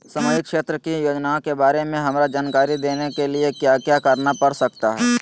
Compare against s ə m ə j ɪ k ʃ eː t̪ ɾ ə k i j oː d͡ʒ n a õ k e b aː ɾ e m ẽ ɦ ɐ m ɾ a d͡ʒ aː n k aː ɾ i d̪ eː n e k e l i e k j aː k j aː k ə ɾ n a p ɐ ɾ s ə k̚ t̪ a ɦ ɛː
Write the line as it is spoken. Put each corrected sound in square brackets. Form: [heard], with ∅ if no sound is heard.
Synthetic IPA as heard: s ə m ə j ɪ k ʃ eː t̪ ɾ ə k i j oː d͡ʒ n a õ k e b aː ɾ e m ẽ ɦ ɐ m ɾ a d͡ʒ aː n k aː ɾ i d̪ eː n e k e l i e k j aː k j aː k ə ɾ n a p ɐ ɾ s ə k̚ t̪ a ɦ ɛː